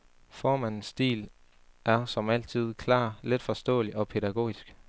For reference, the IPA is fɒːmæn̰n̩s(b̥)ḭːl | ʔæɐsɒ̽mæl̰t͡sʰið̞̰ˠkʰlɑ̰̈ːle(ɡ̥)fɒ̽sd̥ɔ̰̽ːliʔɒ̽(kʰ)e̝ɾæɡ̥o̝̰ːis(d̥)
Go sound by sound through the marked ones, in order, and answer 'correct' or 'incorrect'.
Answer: incorrect, incorrect, incorrect, incorrect

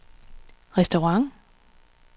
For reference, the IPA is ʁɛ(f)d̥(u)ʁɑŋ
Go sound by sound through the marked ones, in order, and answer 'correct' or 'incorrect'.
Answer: incorrect, incorrect

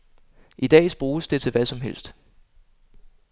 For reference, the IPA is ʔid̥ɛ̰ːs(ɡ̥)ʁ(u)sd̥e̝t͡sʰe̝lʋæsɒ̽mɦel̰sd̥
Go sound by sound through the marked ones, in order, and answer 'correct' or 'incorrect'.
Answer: incorrect, incorrect

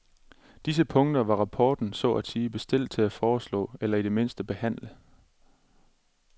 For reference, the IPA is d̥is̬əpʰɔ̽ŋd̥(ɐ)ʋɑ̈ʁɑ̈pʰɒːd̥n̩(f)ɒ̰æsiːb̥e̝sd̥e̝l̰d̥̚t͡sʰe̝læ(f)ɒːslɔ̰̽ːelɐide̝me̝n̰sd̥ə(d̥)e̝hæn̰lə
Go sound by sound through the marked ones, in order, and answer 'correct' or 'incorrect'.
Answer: correct, incorrect, correct, incorrect

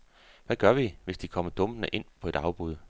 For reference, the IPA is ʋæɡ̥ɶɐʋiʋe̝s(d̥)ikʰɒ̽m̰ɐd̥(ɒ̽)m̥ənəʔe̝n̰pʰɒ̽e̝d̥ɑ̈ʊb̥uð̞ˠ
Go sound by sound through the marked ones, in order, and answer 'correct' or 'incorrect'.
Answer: correct, incorrect

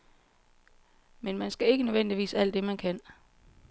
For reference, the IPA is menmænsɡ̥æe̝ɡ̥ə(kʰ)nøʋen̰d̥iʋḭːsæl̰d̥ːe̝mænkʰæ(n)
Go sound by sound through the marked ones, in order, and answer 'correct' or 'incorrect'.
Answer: incorrect, correct

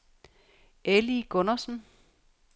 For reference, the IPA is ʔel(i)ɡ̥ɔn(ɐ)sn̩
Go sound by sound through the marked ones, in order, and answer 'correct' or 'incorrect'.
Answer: correct, correct

